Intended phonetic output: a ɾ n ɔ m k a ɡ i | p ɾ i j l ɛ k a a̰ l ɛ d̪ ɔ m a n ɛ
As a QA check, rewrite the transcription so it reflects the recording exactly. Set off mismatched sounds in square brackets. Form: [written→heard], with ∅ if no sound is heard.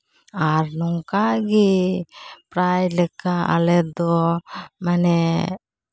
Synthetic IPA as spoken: a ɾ n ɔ [m→ŋ] k a ɡ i | p ɾ [i→a] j l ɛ k a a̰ l ɛ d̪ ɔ m a n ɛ